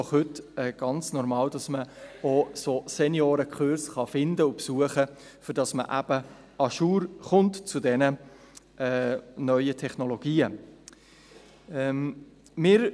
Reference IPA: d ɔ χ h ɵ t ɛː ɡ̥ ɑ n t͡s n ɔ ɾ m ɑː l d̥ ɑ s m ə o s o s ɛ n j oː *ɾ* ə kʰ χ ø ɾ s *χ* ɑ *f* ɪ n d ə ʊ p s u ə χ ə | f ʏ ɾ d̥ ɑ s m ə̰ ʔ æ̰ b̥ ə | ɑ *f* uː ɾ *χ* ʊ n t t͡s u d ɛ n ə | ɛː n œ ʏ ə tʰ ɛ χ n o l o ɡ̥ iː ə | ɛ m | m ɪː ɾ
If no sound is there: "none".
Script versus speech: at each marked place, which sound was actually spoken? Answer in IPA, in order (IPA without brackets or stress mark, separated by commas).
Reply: ɾ, χ, f, ʃ, χ